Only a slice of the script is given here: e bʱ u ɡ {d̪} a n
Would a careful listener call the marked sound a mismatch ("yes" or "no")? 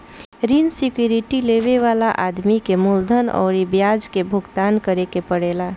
yes